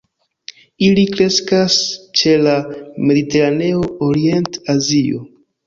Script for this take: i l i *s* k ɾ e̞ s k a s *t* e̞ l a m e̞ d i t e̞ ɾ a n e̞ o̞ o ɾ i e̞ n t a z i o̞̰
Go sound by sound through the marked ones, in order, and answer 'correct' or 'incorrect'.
incorrect: none, incorrect: t͡ʃ

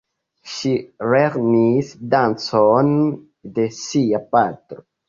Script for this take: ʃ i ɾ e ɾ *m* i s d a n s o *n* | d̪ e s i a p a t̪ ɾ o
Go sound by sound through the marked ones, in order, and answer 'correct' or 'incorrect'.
incorrect: n, correct

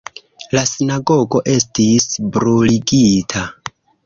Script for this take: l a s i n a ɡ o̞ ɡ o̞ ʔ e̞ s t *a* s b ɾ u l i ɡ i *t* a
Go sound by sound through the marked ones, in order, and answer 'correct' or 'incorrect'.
incorrect: i, incorrect: tʰ

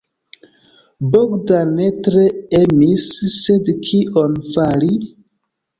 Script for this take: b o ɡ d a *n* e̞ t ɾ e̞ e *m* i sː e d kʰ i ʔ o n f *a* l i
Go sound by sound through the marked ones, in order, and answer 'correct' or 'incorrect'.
correct, correct, correct

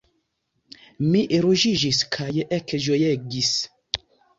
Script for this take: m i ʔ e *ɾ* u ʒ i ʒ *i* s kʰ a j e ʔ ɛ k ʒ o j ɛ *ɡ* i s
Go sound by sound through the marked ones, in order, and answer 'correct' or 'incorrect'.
correct, correct, correct

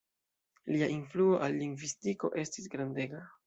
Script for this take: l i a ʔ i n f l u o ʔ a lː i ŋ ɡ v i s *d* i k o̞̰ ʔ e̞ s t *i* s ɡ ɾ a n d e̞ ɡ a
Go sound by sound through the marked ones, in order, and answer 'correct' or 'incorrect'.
incorrect: t, correct

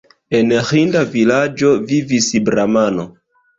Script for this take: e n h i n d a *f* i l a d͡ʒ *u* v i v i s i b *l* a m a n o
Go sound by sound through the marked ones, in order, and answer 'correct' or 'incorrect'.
incorrect: v, incorrect: o, incorrect: ɾ

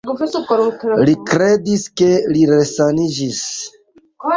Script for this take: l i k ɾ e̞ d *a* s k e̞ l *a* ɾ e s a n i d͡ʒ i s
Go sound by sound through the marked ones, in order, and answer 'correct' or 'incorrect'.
incorrect: i, incorrect: i

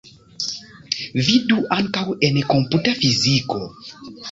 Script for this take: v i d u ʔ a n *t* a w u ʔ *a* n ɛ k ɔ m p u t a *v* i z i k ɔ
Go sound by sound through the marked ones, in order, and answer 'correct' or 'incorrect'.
incorrect: k, incorrect: ɛ, incorrect: f

